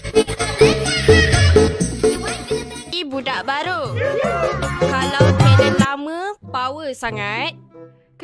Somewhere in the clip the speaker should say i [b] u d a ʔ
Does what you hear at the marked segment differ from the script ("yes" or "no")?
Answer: no